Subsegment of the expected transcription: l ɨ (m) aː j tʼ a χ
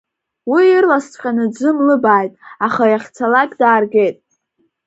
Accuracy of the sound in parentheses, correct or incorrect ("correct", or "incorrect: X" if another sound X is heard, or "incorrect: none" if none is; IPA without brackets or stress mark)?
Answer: incorrect: b